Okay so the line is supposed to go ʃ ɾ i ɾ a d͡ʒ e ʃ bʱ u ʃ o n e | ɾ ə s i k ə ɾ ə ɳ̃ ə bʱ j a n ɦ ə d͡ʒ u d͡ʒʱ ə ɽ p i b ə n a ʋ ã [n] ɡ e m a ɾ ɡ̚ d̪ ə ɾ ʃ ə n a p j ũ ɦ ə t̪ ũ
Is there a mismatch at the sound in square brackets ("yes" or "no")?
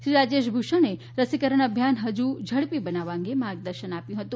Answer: yes